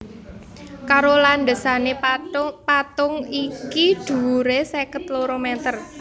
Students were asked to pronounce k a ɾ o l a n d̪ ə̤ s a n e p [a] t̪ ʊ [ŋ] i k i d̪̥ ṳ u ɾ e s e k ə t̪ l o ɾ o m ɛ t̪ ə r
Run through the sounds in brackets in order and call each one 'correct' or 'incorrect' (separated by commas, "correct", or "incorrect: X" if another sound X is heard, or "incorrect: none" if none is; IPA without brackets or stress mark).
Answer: correct, correct